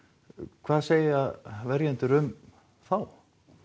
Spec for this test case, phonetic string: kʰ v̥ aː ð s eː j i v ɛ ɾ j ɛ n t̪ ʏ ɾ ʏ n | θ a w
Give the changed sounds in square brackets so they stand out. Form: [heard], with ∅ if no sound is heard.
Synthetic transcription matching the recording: kʰ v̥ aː ð s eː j [a] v ɛ ɾ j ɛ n t̪ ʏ ɾ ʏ [m] | θ a w